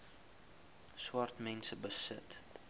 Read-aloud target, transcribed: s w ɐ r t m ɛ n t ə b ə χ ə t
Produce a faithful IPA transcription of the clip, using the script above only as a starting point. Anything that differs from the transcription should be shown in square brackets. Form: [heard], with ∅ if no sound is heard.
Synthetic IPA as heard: s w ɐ r t m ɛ n [s] ə b ə [s] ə t